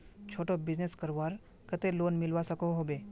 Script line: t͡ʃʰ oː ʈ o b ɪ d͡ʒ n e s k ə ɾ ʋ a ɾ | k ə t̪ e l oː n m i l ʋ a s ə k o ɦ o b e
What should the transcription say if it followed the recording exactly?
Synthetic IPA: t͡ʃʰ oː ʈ o b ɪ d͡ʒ n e s k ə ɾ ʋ a ɾ | k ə t̪ e l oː n m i l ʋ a s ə k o ɦ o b e